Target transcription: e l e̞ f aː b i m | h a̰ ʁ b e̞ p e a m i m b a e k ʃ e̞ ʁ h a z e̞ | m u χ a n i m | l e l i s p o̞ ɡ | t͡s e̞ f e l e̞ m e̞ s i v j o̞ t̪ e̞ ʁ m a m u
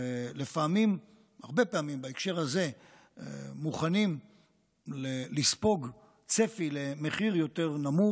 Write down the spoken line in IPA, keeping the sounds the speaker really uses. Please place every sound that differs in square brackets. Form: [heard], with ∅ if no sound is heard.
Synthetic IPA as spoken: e l e̞ f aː [m] i m | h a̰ ʁ b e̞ p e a m i m b a e k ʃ e̞ ʁ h a z e̞ | m u χ a n i m | l e l i s p o̞ ɡ | t͡s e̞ f [i] l e̞ m e̞ [χ] i [ʁ] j o̞ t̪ e̞ ʁ [n] a m u

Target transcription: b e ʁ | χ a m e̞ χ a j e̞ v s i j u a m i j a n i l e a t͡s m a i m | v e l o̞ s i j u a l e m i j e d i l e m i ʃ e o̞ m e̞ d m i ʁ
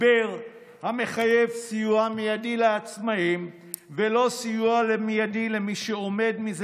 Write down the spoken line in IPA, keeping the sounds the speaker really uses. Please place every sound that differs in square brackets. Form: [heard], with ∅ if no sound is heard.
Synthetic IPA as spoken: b e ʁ | [h] a m e̞ χ a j e̞ v s i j u a m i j a [d] i l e a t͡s m a i m | v e l o̞ s i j u a l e m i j [a] d i l e m i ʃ e o̞ m e̞ d m i [z]

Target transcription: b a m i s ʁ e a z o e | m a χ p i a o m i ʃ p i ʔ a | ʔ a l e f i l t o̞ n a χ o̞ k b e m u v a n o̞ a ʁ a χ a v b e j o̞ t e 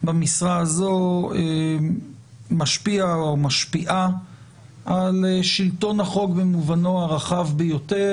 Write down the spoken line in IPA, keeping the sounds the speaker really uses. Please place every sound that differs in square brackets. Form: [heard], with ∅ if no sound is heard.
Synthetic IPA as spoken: b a m i s ʁ [a] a z o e | m a [ʃ] p i a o m [a] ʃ p i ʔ a | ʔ a l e [ʃ] i l t o̞ n a χ o̞ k b e m u v a n o̞ a ʁ a χ a v b e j o̞ t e

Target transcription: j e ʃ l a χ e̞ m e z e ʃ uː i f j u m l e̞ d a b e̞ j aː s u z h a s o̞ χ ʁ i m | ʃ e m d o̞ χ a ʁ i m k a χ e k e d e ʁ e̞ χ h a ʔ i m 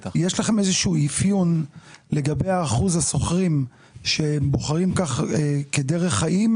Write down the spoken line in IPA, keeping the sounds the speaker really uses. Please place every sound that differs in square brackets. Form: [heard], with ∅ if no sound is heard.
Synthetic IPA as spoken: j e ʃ l a χ e̞ m e z e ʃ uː i f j u [n] l e̞ [ɡ] a b e̞ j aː [χ] u z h a s o̞ χ ʁ i m | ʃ e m [b] o̞ χ a ʁ i m k a χ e k e d e ʁ e̞ χ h a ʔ i m

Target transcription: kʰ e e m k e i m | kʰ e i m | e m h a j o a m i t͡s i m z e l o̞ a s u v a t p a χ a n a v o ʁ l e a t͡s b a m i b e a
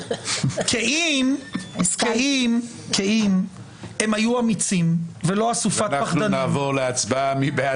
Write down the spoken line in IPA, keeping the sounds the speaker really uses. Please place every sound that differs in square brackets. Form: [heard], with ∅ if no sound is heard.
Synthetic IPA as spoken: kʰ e [i] m k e i m | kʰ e i m | e m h a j [u] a m i t͡s i m [v] e l o̞ a s u [f] a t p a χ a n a v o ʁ l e a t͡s b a m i b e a

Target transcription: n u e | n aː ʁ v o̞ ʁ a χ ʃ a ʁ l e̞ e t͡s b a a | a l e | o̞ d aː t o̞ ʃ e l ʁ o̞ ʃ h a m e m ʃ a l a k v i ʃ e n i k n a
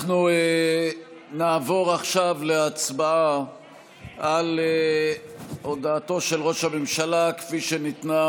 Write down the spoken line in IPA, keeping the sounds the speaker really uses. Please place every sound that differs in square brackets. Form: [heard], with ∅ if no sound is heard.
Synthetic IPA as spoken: n u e | n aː [∅] v o̞ ʁ a χ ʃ a [v] l e̞ [a] t͡s b a a | a l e | o̞ d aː t o̞ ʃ e l ʁ o̞ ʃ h a m e m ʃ a l a k [f] i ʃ e n i [t] n a

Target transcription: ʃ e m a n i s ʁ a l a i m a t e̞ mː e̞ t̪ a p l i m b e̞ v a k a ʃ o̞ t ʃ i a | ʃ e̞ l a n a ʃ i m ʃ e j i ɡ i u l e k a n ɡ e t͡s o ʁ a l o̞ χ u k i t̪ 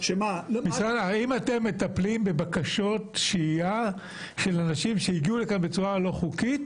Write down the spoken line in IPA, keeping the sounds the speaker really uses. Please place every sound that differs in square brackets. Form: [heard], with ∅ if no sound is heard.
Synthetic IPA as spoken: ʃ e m a [m] i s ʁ a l a i m a t e̞ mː e̞ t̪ a p l i m b e̞ [b] a k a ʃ o̞ t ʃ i a | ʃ e̞ l a n a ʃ i m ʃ e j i ɡ i u l e k a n [b] e t͡s [u] ʁ a l o̞ χ u k i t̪

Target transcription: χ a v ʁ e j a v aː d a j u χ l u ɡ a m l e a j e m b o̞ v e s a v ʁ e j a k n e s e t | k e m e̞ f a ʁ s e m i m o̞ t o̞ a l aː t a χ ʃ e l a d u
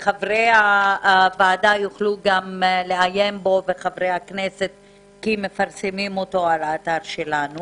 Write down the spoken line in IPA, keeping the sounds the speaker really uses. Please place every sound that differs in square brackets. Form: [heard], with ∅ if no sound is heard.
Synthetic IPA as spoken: χ a v ʁ e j a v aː d a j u χ l u ɡ a m l e a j e m b o̞ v e [χ] a v ʁ e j a k n e s e t | k [i] m e̞ f a ʁ s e m i m o̞ t o̞ a l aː t a [ʁ] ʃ e l a [n] u

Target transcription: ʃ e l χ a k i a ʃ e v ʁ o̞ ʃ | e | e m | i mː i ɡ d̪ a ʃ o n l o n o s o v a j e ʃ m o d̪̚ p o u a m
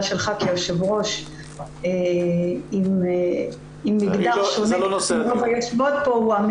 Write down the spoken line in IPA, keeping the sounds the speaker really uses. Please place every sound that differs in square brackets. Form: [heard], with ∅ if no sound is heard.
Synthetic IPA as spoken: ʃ e l χ a k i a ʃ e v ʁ o̞ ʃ | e | [i] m | i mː i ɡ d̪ a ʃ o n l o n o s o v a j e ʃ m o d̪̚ p o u a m

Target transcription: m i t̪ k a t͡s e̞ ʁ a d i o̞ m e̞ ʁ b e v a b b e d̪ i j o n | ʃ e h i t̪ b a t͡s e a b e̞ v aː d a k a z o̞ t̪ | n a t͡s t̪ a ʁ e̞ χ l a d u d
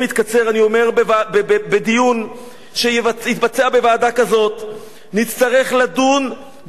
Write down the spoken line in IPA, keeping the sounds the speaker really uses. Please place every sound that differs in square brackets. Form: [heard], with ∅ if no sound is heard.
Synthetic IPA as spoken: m i t̪ k a t͡s e̞ ʁ a [n] i o̞ m e̞ ʁ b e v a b b e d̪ i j [u] n | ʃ e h i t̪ b a t͡s e a b e̞ v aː d a k a z o̞ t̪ | n [i] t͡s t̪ a ʁ e̞ χ l a d u [n]

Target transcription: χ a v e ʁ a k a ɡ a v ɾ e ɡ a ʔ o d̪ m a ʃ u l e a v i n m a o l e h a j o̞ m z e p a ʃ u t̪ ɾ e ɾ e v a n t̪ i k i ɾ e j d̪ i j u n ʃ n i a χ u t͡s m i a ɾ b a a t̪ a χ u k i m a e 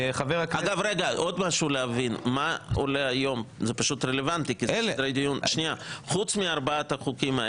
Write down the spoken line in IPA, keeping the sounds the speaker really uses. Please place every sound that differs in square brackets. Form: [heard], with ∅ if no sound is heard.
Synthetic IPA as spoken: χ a v e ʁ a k a ɡ a v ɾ e ɡ a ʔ o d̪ m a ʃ u l e a v i n m a o l e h a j o̞ m z e p a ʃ u t̪ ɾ e [l] e v a n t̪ i k i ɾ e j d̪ i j u n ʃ n i a χ u t͡s m i a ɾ b a a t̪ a χ u k i m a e

